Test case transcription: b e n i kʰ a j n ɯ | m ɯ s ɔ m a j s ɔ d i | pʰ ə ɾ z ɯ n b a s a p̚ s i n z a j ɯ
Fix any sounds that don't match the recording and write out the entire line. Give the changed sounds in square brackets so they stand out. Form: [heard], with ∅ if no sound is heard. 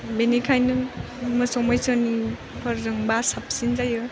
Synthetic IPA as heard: b e n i kʰ a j n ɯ | m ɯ s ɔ m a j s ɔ [n] i | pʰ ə ɾ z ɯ [ŋ] b a s a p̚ s i n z a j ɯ